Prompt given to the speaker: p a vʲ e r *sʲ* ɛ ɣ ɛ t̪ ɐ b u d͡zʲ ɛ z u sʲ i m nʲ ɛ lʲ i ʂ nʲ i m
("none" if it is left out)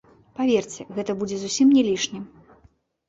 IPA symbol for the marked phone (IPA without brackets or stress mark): t͡sʲ